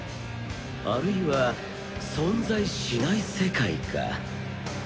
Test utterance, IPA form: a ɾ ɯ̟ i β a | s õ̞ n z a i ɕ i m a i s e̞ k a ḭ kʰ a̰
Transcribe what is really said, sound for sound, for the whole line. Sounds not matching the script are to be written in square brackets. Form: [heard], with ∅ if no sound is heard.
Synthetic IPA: a ɾ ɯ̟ i β a | s õ̞ n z a i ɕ i [n] a i s e̞ k a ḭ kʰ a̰

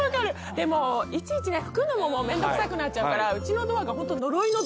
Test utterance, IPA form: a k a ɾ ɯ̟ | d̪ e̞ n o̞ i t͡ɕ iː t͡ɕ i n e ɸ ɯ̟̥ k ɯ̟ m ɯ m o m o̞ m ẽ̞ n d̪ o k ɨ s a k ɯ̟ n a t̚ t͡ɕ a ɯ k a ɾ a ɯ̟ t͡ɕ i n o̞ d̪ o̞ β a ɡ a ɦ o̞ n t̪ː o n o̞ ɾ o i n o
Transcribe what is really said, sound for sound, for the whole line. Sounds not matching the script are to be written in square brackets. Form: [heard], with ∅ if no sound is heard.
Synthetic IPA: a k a ɾ ɯ̟ | d̪ e̞ [m] o̞ i t͡ɕ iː t͡ɕ i n e ɸ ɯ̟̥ k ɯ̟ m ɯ m o m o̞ m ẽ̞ n d̪ o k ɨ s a k ɯ̟ n a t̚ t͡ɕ a ɯ k a ɾ a ɯ̟ t͡ɕ i n o̞ d̪ o̞ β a ɡ a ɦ o̞ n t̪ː o n o̞ ɾ o i n o

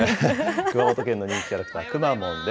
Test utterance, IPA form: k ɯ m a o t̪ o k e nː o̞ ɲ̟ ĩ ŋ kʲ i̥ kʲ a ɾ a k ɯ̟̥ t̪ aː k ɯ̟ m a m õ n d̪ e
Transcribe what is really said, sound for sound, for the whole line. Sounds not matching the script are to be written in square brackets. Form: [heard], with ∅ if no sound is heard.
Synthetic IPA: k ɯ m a o t̪ o k e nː o̞ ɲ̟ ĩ ŋ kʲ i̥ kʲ a ɾ a k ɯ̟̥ t̪ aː k ɯ̟ m a m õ n d̪ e

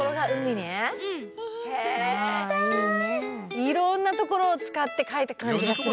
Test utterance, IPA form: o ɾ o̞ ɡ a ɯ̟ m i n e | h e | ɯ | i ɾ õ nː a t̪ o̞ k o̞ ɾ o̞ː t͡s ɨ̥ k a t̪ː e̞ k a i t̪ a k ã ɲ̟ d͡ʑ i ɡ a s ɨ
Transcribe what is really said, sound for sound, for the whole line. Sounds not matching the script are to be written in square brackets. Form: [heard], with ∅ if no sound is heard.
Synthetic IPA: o ɾ o̞ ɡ a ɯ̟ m i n e | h e | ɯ | i ɾ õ nː a t̪ o̞ k o̞ ɾ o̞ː t͡s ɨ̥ k a t̪ː e̞ k a i t̪ a k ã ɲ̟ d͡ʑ i ɡ a s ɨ

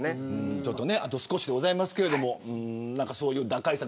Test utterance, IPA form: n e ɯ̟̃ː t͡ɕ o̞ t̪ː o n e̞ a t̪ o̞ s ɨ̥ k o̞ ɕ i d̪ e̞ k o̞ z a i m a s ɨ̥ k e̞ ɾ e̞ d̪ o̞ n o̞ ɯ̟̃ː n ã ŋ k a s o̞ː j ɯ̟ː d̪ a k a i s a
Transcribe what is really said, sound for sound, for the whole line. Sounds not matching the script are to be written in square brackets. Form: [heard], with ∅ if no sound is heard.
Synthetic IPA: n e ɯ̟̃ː t͡ɕ o̞ t̪ː o n e̞ a t̪ o̞ s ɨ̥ k o̞ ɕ i d̪ e̞ [ɡ] o̞ z a i m a s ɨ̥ k e̞ ɾ e̞ d̪ o̞ [m] o̞ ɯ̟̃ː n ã ŋ k a s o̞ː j ɯ̟ː d̪ a k a i s a

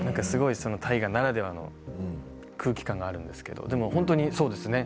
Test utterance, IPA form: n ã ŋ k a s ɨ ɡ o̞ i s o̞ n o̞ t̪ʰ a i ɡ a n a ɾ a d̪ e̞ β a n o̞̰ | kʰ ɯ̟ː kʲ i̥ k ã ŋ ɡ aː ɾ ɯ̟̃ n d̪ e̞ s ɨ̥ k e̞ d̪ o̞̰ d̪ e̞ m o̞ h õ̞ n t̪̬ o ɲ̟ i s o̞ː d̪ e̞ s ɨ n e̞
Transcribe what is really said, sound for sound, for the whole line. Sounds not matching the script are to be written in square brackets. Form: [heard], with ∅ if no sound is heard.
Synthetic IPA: n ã ŋ k a s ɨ ɡ o̞ i s o̞ n o̞ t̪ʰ a i ɡ a n a ɾ a d̪ e̞ β a n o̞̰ | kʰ ɯ̟ː kʲ i̥ k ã ŋ ɡ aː ɾ ɯ̟̃ n d̪ e̞ s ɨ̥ k e̞ d̪ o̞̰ d̪ e̞ m o̞ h õ̞ n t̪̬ o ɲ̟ i s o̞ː d̪ e̞ s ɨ n e̞

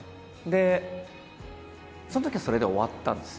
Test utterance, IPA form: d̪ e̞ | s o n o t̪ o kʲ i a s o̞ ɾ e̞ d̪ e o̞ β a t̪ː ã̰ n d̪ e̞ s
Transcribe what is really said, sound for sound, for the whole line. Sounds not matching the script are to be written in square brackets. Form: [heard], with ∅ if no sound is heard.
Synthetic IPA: d̪ e̞ | s o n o t̪ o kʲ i a s o̞ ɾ e̞ d̪ e o̞ β a t̪ː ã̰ n d̪ e̞ s

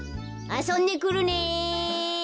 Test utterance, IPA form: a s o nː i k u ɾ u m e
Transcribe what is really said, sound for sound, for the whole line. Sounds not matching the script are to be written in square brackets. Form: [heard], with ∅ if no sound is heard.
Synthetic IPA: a s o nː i k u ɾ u [n] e

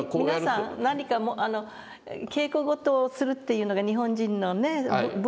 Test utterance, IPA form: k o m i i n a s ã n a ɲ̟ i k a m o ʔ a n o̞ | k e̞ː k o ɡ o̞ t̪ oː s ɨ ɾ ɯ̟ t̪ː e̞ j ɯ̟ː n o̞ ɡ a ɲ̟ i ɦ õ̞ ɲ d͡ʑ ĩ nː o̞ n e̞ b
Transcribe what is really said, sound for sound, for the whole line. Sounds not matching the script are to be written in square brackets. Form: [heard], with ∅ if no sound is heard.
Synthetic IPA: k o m i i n a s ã n a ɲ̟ i k a m o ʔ a n o̞ | k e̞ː k o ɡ o̞ t̪ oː s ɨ ɾ ɯ̟ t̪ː e̞ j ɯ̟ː n o̞ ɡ a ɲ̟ i ɦ õ̞ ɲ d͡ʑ ĩ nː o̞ n e̞ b

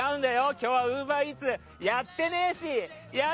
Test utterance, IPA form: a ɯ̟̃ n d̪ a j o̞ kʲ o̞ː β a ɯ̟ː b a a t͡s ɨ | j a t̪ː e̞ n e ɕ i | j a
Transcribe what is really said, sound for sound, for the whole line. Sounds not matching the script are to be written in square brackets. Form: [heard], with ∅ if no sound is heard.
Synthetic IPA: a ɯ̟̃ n d̪ a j o̞ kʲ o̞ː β a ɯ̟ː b a [i] t͡s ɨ | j a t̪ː e̞ n e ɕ i | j a

